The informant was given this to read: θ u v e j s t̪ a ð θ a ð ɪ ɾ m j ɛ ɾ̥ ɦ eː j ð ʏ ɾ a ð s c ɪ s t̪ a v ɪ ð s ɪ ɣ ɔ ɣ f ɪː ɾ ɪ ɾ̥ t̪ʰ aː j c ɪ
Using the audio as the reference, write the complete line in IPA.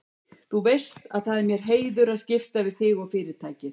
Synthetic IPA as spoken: θ u v e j s t̪ a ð θ a ð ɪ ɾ m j ɛ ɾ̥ ɦ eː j ð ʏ ɾ a ð s c ɪ f t̪ a v ɪ ð θ ɪ ɣ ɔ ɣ f ɪː ɾ ɪ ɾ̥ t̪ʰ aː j c ɪ

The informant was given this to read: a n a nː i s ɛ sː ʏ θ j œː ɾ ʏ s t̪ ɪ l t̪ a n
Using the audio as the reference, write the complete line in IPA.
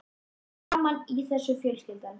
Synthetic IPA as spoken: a m a n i θ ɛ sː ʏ f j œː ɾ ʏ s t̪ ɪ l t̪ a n

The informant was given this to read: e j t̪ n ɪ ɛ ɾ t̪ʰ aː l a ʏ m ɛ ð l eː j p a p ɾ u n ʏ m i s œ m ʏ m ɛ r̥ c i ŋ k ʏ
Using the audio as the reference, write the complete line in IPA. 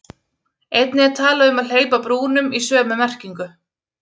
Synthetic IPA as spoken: e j t̪ n ɪ ɛ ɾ t̪ʰ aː l a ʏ m a ð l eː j p a p ɾ uː n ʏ m i s œː m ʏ m ɛ r̥ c i ŋ k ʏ

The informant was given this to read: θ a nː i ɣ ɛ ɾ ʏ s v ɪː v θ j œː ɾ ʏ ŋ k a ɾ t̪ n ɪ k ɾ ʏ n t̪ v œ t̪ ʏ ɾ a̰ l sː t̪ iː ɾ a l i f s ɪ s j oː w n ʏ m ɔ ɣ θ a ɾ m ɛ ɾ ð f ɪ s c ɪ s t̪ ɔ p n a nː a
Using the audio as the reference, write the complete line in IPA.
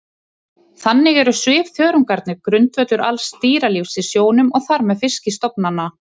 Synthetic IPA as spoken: θ a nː ɪ ɣ ɛ ɾ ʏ s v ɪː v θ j œː ɾ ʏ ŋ k a ɾ t̪ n ɪ k ɾ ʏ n t̪ v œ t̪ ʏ ɾ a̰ l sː t̪ iː ɾ a l i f s ɪ s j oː w n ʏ m ɔ ɣ θ a ɾ m ɛ ð f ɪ s c ɪ s t̪ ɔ p n a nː a

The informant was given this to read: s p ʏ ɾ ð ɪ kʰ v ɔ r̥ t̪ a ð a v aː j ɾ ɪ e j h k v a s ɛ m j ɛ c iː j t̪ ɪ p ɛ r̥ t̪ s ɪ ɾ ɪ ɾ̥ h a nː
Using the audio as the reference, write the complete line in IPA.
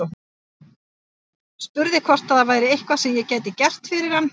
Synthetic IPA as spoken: s p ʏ ɾ ð ɪ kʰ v ɔ r̥ t̪ a ð a v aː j ɾ ɪ e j h k v a s ɛ m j ɛ c aː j t̪ ɪ c ɛ r̥ t̪ f ɪ ɾ ɪ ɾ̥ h a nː

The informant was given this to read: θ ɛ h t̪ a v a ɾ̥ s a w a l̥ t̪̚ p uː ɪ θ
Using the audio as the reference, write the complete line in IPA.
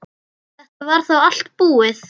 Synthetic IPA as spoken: θ ɛ h t̪ a v a ɾ̥ θ a w a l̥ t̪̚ p uː ɪ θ

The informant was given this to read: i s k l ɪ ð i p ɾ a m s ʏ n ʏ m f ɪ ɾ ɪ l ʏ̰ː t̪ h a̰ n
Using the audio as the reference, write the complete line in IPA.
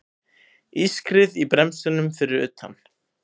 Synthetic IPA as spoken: i s k ɾ ɪ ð i p ɾ ɛ m s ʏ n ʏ m f ɪ ɾ ɪ ɾ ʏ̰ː t̪ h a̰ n

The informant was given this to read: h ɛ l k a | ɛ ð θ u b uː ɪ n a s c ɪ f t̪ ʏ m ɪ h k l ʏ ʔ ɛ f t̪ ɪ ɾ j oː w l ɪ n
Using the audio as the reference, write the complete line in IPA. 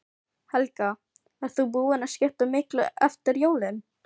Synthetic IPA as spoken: h ɛ l k a | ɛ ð θ u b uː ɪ n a s c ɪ h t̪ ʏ m ɪ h k l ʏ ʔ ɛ f t̪ ɪ ɾ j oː w l ɪ n

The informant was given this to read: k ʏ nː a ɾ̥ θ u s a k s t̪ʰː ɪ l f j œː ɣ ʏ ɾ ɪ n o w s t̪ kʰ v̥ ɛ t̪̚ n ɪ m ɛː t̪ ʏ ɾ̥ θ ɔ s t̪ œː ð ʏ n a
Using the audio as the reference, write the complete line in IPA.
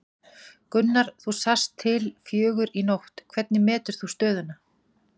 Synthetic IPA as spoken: k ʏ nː a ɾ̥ θ u s a s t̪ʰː ɪ l f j œː ɣ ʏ ɾ i n o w h t̪ kʰ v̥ ɛ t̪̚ n ɪ m ɛː t̪ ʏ ɾ̥ θ u s t̪ œː ð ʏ n a

